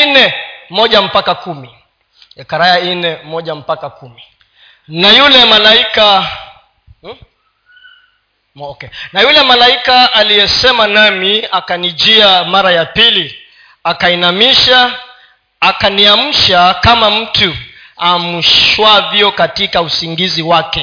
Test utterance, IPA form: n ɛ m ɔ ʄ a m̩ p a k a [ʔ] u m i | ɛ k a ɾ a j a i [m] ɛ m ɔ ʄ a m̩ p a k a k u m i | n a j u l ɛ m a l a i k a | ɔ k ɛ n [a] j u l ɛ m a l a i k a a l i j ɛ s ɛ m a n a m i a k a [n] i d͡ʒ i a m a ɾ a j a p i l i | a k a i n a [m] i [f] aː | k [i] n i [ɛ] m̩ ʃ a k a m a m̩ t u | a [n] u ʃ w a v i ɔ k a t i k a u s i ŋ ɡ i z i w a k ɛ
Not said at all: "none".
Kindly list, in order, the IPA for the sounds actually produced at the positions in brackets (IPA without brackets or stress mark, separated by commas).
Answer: k, n, a, n, m, ʃ, a, a, m